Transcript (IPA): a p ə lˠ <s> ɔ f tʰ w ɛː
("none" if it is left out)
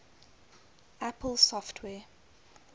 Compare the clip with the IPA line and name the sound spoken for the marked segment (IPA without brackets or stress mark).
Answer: s